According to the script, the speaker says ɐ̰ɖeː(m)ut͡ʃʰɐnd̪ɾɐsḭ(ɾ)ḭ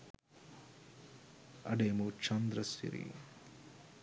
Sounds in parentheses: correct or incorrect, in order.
correct, correct

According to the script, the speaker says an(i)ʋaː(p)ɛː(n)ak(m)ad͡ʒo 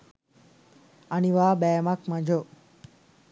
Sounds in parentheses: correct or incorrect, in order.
correct, incorrect, incorrect, correct

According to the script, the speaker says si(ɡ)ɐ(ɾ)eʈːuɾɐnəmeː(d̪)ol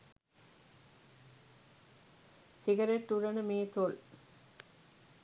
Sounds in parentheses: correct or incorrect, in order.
correct, correct, incorrect

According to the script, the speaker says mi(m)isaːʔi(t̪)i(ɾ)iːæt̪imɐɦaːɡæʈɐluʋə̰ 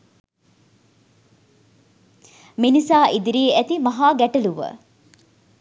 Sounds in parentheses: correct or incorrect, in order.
incorrect, incorrect, correct

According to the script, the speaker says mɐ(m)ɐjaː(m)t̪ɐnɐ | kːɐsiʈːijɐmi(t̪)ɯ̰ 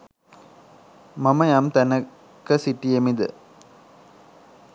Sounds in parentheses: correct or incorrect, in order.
correct, correct, incorrect

